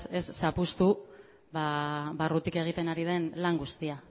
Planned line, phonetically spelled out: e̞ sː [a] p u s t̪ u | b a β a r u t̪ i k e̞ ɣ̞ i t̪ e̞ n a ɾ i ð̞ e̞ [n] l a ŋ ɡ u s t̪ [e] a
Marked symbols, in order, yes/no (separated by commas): yes, yes, no